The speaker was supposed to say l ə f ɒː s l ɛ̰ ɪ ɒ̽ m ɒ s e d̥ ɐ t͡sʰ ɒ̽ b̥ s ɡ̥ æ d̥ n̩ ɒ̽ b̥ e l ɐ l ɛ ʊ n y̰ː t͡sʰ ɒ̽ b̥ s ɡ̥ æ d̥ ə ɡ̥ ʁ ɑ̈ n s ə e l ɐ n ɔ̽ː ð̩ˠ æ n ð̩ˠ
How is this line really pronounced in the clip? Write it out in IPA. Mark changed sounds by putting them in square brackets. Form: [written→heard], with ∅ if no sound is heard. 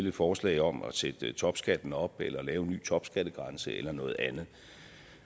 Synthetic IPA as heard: l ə f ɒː s l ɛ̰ ɪ ɒ̽ m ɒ s e d̥ [ɐ→ə] t͡sʰ ɒ̽ b̥ s ɡ̥ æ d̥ n̩ ɒ̽ b̥ e l ɐ l [ɛ→ɛː] ʊ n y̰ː t͡sʰ ɒ̽ b̥ s ɡ̥ æ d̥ ə ɡ̥ ʁ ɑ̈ n s ə e l ɐ n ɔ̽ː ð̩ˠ æ n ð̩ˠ